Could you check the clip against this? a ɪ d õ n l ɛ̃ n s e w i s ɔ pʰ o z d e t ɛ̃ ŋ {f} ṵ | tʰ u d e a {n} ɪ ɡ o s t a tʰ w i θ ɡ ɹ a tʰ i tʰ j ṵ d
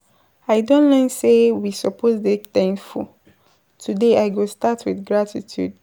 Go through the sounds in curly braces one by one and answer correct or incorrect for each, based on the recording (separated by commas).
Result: correct, incorrect